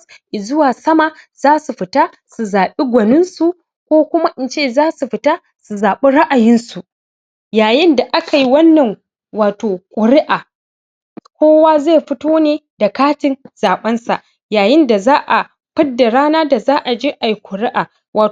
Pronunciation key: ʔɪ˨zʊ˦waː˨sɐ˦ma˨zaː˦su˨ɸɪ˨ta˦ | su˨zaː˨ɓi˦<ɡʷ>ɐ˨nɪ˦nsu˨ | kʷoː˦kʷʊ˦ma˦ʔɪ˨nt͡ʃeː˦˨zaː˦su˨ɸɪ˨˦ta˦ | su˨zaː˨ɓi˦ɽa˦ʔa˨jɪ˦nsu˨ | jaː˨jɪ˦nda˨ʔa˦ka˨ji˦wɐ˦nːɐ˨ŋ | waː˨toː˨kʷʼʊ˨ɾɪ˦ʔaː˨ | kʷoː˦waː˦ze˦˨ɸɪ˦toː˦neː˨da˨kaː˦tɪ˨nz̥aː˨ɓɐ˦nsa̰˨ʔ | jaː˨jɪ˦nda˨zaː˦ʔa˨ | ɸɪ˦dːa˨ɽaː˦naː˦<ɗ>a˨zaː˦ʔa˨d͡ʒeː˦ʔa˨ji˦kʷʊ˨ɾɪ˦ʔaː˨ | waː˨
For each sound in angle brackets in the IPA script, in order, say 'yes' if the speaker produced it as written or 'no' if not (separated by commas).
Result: yes, no